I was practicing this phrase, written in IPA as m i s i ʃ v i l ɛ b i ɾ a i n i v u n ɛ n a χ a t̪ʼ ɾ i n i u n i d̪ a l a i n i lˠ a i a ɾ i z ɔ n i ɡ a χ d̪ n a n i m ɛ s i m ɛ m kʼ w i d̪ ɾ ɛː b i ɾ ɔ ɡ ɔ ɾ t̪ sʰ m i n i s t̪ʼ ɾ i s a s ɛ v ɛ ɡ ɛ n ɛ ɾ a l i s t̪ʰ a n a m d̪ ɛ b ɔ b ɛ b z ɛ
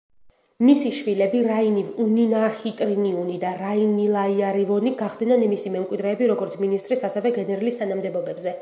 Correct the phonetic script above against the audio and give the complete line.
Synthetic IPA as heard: m i s i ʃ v i l ɛ b i ɾ a i n i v u n i n a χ i t̪ʼ ɾ i n i u n i d̪ a ɾ a i n i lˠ a i a ɾ i v ɔ n i ɡ a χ d̪ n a n i m i s i m ɛ m kʼ w i d̪ ɾ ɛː b i ɾ ɔ ɡ ɔ ɾ t̪ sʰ m i n i s t̪ʼ ɾ i s a s ɛ v ɛ ɡ ɛ n ɛ ɾ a l i s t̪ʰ a n a m d̪ ɛ b ɔ b ɛ b z ɛ